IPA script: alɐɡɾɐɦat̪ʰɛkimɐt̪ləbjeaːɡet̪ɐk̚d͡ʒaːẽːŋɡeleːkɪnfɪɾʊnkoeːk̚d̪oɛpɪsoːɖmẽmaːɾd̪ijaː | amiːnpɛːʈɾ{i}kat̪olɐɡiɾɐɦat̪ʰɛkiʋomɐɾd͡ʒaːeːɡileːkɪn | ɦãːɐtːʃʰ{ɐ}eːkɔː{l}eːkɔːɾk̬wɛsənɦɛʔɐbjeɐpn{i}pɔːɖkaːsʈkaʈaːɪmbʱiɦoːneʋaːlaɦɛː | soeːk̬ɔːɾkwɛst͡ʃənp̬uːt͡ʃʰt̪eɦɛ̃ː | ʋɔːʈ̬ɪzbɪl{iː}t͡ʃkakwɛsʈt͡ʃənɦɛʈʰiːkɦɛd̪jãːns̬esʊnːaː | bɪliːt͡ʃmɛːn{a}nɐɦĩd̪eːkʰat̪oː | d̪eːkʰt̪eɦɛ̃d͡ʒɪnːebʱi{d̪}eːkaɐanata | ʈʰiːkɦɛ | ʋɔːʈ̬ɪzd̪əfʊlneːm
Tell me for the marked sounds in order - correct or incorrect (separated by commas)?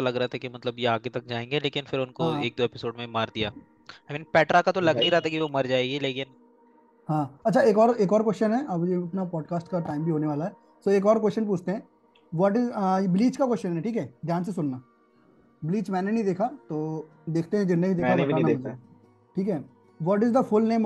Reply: incorrect, incorrect, incorrect, incorrect, correct, incorrect, correct